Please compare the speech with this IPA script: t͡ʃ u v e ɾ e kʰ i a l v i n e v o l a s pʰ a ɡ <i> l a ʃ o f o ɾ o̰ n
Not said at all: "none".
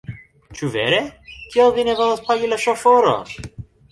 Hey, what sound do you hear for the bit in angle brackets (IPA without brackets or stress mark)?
i